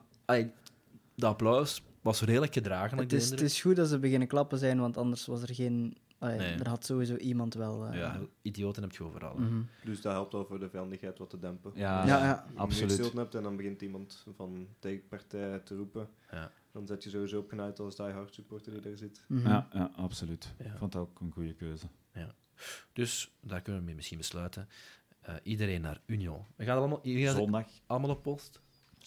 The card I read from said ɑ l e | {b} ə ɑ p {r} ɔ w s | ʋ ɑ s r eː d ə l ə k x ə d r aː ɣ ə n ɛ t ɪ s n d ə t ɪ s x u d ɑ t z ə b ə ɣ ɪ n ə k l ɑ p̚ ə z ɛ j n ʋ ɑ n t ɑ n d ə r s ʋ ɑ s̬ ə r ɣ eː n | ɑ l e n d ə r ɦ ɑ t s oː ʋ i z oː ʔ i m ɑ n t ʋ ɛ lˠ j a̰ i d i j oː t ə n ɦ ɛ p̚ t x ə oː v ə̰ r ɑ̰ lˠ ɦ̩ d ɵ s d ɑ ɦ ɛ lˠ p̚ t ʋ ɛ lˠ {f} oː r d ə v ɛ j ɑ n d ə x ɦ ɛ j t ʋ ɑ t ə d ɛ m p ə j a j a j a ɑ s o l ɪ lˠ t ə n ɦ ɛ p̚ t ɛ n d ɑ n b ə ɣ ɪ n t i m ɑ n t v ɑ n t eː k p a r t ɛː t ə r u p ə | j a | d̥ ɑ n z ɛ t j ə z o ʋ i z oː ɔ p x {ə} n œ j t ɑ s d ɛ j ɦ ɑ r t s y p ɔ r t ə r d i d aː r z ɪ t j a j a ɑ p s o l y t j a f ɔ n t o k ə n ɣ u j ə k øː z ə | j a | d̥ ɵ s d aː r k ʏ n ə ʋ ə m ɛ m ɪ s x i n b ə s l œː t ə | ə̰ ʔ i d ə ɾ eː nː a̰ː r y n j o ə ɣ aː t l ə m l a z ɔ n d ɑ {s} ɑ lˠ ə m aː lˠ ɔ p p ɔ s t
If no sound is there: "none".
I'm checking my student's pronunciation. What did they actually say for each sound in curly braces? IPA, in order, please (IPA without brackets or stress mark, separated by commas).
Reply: d, l, v, ə, x